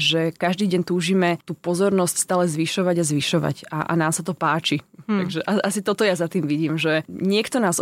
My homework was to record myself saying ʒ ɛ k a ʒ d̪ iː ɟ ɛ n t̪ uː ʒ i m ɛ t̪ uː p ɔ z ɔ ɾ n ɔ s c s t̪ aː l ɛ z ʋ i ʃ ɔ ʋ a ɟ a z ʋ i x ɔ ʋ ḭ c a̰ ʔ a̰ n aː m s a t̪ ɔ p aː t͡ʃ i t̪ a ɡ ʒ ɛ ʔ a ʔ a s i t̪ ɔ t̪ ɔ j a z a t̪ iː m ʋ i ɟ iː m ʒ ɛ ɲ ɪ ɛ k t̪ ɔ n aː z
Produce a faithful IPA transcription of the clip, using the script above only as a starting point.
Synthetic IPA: ʒ ɛ k a ʒ d̪ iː ɟ ɛ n t̪ uː ʒ i m ɛ t̪ uː p ɔ z ɔ ɾ n ɔ s c s t̪ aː l ɛ z ʋ i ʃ ɔ ʋ a ɟ a z ʋ i ʃ ɔ ʋ a̰ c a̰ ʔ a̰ n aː m s a t̪ ɔ p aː t͡ʃ i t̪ a ɡ ʒ ɛ ʔ a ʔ a s i t̪ ɔ t̪ ɔ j a z a t̪ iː m ʋ i ɟ iː m ʒ ɛ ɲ ɪ ɛ k t̪ ɔ n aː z